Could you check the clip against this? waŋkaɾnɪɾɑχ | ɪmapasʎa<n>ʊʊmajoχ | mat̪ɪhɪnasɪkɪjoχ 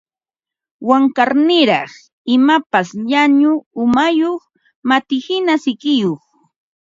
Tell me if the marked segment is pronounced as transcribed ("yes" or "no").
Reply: no